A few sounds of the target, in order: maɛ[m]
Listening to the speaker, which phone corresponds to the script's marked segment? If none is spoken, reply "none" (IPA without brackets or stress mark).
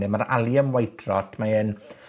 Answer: n